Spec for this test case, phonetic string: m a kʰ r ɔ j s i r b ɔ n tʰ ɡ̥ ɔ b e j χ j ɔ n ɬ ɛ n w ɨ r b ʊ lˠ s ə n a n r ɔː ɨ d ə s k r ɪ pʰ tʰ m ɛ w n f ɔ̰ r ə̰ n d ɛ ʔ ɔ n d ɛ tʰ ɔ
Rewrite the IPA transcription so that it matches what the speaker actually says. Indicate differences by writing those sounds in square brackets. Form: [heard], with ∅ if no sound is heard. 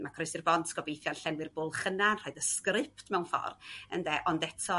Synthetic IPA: m a kʰ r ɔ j s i r b ɔ n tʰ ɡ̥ ɔ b e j [θ] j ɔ n ɬ ɛ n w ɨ r b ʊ lˠ [χ] ə n a n r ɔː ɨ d ə s k r ɪ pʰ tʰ m ɛ w n f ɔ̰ r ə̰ n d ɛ ʔ ɔ n d ɛ tʰ ɔ